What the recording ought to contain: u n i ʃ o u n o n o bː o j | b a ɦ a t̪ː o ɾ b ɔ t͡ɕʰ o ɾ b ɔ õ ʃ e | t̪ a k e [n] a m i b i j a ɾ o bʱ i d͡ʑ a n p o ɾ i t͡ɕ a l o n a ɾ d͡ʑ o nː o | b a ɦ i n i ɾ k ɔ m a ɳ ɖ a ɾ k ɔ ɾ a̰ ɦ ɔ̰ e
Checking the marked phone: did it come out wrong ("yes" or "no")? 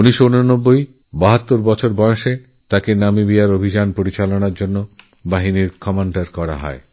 no